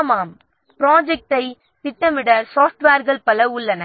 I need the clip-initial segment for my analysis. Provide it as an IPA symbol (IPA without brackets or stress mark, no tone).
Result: m